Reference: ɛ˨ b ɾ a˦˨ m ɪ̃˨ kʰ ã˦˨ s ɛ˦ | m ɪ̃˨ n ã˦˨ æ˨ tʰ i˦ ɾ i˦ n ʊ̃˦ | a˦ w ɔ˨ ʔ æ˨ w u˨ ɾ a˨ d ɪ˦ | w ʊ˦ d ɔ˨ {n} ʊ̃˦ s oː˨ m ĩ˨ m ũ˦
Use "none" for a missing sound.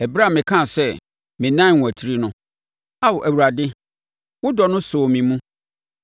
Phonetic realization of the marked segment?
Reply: n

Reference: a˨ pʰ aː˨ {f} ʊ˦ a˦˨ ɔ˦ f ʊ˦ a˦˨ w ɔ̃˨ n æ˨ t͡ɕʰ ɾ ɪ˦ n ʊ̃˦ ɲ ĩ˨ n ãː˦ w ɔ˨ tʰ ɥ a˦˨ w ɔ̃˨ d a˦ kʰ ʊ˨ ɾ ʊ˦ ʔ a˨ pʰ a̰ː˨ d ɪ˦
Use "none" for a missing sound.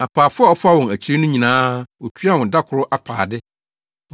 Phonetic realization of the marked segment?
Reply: f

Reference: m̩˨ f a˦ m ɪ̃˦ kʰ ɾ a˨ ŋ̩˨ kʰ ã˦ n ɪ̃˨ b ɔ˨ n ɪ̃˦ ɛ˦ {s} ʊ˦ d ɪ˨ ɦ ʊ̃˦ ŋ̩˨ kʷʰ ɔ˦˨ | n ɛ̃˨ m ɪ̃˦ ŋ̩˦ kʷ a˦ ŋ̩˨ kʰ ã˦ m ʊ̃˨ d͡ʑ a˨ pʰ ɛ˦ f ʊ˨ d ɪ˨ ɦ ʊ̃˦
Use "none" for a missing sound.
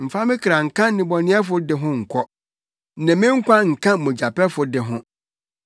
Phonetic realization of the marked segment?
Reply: f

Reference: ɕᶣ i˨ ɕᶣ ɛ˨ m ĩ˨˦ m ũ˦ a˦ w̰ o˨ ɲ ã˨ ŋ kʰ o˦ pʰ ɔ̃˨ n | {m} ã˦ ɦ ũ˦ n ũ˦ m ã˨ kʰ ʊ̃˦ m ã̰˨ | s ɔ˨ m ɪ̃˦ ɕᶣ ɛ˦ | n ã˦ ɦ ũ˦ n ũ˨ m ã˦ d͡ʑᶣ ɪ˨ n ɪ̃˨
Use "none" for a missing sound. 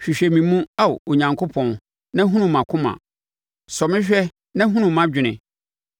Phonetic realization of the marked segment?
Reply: n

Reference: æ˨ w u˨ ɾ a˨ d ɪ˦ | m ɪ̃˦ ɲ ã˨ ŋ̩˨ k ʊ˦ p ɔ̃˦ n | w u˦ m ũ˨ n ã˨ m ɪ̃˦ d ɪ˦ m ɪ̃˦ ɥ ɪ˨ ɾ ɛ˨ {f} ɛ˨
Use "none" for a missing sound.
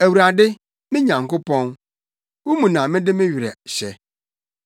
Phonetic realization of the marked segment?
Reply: ɕ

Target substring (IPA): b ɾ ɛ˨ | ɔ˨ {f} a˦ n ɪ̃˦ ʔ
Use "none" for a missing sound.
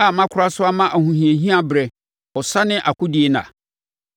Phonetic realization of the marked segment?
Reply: s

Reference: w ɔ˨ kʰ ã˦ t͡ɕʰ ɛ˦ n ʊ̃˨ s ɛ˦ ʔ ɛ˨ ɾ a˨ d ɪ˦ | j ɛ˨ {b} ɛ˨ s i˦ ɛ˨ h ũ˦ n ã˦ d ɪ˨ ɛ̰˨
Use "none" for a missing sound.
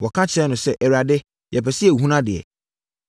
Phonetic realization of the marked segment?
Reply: p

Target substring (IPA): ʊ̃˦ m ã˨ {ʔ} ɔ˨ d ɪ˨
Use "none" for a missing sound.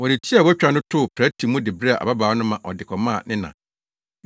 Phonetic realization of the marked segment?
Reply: ʔ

